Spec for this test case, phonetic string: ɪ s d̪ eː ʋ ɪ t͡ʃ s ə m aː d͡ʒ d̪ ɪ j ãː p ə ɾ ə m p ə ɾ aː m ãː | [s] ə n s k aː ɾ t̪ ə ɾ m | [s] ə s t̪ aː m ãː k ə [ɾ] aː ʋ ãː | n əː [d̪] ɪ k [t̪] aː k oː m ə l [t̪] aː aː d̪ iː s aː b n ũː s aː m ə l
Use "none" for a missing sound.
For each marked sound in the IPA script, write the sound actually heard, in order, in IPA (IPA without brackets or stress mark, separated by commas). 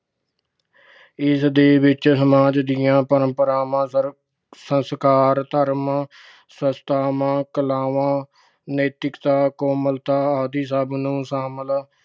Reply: s, s, l, t̪, t̪, t̪